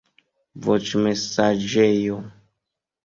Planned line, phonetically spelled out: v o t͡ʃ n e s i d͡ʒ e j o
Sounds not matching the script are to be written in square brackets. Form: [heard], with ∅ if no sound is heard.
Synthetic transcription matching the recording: v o t͡ʃ [m] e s [a] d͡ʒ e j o